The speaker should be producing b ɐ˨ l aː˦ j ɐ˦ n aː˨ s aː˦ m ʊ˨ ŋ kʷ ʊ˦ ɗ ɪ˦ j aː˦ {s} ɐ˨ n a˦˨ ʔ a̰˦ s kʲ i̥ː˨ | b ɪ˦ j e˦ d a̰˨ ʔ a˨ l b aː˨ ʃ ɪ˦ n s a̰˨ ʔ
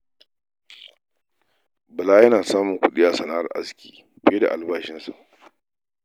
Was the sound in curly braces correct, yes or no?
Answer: yes